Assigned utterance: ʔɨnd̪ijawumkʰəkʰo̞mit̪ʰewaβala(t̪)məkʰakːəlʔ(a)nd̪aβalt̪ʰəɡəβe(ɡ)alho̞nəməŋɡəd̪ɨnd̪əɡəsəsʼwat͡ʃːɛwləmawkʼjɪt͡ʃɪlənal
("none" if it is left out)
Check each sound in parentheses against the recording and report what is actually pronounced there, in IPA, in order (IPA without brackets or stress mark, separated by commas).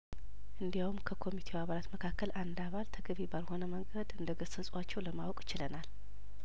t̪, a, b